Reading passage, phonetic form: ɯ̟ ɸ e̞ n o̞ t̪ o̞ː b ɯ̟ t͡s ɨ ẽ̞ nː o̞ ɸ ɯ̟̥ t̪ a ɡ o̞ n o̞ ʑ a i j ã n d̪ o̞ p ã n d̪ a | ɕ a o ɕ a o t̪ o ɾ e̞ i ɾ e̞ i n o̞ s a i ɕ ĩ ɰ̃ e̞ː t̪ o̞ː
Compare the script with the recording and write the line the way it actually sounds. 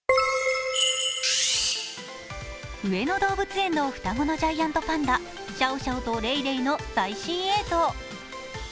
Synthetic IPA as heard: ɯ̟ e̞ n o̞ d̪ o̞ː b ɯ̟ t͡s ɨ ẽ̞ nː o̞ ɸ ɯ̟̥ t̪ a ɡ o̞ n o̞ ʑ a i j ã n t̪ o̞ p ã n d̪ a | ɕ a o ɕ a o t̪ o ɾ e̞ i ɾ e̞ i n o̞ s a i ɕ ĩ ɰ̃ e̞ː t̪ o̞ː